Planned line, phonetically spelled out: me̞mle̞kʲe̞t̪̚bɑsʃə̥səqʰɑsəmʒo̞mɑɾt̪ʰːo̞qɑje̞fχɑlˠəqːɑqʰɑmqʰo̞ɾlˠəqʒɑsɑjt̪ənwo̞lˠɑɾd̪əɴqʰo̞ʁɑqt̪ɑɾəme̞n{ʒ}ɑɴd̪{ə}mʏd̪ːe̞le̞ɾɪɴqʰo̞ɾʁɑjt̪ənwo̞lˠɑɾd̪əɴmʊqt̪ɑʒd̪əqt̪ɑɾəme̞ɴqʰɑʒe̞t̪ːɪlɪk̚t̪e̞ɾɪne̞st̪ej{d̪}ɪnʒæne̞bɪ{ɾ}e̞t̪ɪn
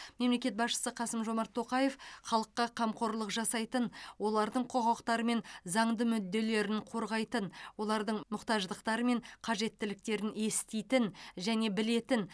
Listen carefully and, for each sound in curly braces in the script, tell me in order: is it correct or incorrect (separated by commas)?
incorrect, correct, incorrect, incorrect